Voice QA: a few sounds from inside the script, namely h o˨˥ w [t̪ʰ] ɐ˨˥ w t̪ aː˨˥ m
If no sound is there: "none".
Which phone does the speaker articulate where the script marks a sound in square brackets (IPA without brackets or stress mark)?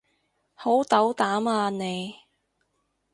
t̪